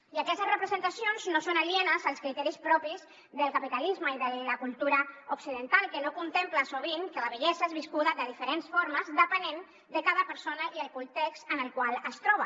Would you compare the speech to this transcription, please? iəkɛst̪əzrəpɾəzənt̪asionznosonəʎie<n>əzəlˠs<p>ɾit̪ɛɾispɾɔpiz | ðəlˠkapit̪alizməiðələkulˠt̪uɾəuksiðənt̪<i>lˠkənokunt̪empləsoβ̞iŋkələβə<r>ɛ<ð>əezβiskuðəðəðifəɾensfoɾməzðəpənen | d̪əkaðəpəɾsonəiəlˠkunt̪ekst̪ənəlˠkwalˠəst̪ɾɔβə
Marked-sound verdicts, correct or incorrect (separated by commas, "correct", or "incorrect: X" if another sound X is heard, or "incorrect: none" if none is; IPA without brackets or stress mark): correct, incorrect: k, incorrect: a, incorrect: ʎ, incorrect: z